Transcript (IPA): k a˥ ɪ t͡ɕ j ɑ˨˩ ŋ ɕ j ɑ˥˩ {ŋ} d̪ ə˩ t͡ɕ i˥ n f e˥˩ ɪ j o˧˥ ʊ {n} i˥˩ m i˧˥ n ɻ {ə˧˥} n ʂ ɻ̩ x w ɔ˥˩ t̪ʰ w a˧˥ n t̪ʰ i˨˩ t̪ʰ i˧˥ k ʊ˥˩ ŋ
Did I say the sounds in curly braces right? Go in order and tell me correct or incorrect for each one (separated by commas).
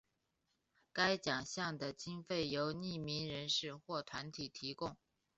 correct, correct, correct